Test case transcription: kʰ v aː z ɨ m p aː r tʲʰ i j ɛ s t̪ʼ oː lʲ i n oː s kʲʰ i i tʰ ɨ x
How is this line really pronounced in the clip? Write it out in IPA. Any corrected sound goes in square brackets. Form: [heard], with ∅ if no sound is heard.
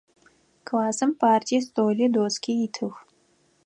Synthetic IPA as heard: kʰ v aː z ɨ m p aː r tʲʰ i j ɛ s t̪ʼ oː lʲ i [d] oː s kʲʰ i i tʰ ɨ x